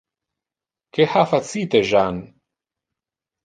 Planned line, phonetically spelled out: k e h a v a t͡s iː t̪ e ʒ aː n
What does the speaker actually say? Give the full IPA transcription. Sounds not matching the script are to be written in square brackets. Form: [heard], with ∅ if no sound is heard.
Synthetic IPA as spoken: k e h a [f] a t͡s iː t̪ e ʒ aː n